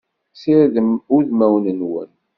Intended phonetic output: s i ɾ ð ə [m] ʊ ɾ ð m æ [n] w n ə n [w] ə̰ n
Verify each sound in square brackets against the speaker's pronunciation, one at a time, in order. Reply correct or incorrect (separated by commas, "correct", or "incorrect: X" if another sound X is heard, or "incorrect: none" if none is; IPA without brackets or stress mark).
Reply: correct, incorrect: none, correct